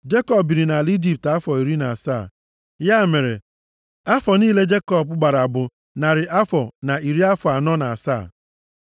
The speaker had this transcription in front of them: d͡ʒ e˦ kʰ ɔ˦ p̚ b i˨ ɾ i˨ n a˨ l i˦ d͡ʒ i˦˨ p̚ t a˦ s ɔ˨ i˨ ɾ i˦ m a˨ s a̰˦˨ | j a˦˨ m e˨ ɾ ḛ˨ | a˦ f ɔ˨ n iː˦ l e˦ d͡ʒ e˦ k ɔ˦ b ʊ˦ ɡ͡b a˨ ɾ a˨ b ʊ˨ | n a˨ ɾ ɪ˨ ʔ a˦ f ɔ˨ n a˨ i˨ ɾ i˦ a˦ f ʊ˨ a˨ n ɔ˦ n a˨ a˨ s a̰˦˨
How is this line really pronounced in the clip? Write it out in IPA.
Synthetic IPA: d͡ʒ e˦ k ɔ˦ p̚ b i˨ ɾ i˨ n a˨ l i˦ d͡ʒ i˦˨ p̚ t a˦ f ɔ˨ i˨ ɾ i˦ n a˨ s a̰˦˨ | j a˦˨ m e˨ ɾ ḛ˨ | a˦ f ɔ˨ n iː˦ l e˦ d͡ʒ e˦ k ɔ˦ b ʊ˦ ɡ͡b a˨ ɾ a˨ b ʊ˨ | n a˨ ɾ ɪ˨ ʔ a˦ f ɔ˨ n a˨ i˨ ɾ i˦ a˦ f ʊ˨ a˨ n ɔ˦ n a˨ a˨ s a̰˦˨